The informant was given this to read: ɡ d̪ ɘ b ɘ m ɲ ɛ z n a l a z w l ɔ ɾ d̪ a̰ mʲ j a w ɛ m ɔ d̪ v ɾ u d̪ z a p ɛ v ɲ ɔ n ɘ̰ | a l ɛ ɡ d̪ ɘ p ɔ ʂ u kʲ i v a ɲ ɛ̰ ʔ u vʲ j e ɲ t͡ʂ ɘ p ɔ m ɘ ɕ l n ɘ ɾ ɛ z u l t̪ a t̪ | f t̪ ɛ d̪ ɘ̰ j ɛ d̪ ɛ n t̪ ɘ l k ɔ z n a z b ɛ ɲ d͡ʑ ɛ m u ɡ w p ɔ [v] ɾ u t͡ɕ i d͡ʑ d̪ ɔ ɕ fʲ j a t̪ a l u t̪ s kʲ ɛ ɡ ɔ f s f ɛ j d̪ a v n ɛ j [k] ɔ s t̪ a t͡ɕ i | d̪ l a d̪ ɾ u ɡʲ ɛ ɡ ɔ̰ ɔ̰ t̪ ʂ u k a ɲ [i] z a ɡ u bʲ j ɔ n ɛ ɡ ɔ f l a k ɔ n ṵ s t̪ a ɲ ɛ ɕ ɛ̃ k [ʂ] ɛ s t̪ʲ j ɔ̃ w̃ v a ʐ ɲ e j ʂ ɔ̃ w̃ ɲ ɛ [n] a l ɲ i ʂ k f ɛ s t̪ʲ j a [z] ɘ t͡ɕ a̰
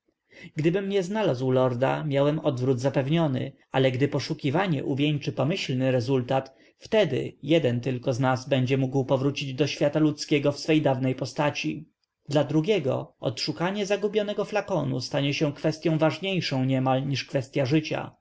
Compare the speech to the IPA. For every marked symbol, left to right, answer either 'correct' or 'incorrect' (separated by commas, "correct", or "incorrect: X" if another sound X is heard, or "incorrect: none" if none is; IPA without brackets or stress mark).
correct, incorrect: p, incorrect: ɛ, incorrect: f, incorrect: m, incorrect: ʐ